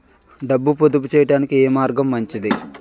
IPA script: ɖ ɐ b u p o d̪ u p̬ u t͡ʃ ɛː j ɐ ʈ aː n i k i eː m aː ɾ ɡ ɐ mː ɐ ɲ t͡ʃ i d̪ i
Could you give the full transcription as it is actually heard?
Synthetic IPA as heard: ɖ ɐ bː u p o d̪ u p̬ u t͡ʃ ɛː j ɐ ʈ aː n i k i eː m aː ɾ ɡ ɐ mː ɐ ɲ t͡ʃ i d̪ i